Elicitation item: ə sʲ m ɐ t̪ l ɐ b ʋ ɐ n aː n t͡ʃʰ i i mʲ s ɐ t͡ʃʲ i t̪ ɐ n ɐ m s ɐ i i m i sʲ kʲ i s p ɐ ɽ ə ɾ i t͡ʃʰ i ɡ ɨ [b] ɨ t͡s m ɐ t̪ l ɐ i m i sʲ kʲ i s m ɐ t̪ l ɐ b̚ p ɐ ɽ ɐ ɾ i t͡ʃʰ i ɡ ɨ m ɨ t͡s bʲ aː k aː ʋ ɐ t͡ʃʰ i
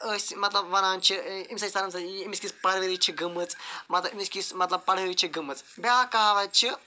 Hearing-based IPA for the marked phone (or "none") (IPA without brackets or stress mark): m